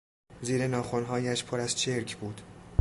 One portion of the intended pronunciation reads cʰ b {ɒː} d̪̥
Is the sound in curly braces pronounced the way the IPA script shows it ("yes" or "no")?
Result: no